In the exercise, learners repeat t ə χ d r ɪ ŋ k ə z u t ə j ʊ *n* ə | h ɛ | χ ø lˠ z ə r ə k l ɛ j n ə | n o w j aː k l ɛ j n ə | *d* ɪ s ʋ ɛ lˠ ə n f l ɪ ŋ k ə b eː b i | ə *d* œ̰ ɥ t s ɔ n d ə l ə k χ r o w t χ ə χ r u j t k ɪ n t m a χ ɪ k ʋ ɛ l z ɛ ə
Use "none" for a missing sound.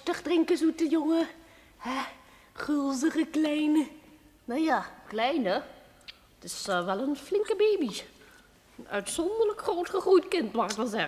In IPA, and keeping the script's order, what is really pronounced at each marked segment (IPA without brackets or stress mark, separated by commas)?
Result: ŋ, t, n